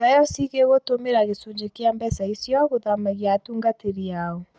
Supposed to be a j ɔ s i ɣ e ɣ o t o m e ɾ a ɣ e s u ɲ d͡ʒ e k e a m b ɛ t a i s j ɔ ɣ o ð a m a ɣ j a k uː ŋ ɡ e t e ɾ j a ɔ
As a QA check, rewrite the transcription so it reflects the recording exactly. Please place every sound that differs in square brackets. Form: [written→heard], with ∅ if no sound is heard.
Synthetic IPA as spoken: a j ɔ s i ɣ e ɣ o t o m e ɾ a ɣ e s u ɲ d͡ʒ e k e a m b ɛ [t→s] a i s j ɔ ɣ o ð a m a ɣ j a [k→t] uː ŋ ɡ [e→a] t e ɾ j a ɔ